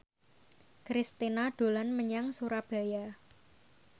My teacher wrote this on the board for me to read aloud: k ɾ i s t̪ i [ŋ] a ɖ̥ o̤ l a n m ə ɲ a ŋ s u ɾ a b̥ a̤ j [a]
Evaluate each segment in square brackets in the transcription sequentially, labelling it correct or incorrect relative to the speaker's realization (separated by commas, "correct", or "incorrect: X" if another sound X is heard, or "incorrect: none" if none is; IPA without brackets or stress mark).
incorrect: n, correct